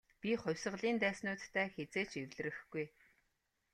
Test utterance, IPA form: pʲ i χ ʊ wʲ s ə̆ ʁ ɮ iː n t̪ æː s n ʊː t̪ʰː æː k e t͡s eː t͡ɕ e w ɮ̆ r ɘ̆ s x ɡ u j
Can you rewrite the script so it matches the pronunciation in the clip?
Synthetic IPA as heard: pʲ i χ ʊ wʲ s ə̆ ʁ ɮ iː n t̪ æː s n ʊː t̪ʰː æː x e t͡s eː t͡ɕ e w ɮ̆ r ɘ̆ x ɡ u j